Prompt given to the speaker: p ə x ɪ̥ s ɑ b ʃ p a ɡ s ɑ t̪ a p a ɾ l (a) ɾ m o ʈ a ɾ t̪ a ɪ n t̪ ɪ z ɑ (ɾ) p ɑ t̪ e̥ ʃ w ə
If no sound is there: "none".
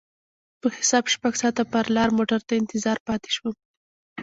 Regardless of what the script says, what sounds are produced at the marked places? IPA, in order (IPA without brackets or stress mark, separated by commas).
ɑ, ɾ